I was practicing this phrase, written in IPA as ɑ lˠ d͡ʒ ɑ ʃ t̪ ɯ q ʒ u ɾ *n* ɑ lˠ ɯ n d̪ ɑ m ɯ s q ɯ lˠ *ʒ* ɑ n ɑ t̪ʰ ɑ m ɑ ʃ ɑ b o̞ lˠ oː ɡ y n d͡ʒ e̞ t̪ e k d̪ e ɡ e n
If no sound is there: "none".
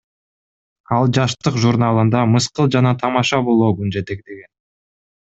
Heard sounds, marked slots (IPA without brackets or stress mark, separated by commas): n, d͡ʒ